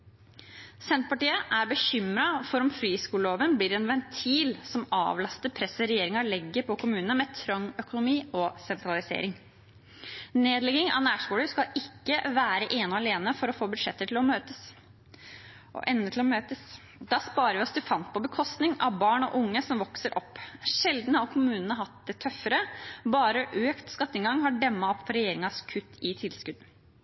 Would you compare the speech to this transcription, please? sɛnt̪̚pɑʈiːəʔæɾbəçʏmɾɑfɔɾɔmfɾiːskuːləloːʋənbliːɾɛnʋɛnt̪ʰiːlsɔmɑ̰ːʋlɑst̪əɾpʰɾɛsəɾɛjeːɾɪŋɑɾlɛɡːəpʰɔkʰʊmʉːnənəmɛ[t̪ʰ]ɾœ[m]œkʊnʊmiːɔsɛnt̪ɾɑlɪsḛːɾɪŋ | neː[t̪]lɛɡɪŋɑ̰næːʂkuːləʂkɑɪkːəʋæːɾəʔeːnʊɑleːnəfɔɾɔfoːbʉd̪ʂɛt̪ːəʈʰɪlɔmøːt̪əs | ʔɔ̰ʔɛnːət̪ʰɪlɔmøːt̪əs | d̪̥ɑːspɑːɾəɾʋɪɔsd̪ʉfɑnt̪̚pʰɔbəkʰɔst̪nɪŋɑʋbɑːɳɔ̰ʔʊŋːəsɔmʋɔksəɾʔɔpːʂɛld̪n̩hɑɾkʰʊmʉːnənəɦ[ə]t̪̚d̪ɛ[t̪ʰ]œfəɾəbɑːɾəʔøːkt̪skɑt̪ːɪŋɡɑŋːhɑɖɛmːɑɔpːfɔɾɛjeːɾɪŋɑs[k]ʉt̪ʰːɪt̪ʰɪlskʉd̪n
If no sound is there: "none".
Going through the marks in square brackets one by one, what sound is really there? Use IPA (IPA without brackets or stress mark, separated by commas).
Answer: t̪ʰ, ŋ, d̪, ɑ, t̪ʰ, kʰ